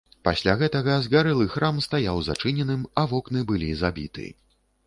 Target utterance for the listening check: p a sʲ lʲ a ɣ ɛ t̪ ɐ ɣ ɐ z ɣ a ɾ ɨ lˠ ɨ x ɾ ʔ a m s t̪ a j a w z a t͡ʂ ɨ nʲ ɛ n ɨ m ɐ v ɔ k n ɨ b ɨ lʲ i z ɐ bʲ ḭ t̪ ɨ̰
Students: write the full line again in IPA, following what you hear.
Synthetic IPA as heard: p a sʲ lʲ a ɣ ɛ t̪ ɐ ɣ ɐ z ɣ a ɾ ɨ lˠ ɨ x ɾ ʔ a m s t̪ a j a w z a t͡ʂ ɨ nʲ ɛ n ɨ m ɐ v ɔ k n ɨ b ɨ lʲ i z a bʲ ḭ t̪ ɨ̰